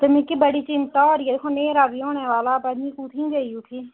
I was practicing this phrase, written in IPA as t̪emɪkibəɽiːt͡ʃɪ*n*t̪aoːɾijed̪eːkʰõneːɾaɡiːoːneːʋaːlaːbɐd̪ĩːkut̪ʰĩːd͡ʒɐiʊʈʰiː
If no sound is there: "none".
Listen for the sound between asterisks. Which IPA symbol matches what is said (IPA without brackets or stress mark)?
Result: n